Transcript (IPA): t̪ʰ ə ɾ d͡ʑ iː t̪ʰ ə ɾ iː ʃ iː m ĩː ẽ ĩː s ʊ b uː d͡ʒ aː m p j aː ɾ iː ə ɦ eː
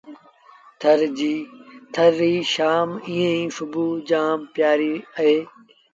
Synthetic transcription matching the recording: t̪ʰ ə ɾ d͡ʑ iː t̪ʰ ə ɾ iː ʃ aː m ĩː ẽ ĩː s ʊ b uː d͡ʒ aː m p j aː ɾ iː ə ɦ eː